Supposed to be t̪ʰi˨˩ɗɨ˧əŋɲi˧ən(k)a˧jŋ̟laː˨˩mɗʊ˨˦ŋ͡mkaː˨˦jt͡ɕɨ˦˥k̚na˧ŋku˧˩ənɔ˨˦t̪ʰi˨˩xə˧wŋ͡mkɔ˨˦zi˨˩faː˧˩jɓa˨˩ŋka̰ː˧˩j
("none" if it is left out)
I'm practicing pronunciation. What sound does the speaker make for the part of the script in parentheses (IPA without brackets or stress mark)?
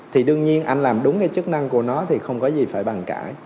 ʔ